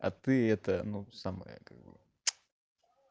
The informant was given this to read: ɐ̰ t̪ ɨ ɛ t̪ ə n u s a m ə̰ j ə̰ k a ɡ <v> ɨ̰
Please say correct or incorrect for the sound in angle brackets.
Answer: incorrect